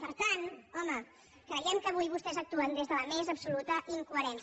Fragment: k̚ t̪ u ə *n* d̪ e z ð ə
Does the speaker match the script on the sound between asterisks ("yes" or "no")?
yes